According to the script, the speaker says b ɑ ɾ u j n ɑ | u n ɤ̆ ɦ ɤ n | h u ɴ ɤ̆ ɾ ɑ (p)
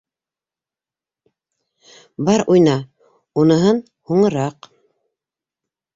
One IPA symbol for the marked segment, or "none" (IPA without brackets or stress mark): q